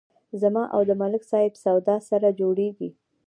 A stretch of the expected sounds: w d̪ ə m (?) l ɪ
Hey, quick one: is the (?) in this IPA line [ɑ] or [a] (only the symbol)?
a